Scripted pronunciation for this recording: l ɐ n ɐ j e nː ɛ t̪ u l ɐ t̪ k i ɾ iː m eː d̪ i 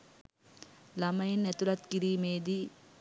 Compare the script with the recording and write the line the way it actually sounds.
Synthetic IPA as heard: l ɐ m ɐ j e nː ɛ t̪ u l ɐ t̪ k i ɾ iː m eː d̪ i